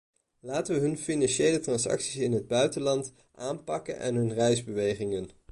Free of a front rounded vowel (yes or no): no